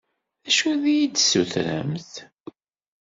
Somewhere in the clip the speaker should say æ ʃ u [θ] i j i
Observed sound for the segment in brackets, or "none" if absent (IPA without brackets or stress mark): ð